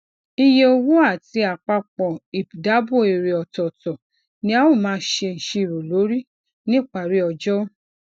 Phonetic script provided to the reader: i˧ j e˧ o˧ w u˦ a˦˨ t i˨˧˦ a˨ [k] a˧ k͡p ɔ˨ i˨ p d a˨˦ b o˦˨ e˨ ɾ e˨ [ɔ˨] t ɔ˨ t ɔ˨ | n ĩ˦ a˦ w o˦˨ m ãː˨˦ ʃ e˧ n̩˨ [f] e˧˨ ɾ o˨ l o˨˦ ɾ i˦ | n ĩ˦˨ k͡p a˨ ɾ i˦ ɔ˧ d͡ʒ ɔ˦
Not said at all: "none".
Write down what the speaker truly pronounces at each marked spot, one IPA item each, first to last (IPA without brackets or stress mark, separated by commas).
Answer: k͡p, ɔ˨, ʃ